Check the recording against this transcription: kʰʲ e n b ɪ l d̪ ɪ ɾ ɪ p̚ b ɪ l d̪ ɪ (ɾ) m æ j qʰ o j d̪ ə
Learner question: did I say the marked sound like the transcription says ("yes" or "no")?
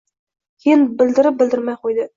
yes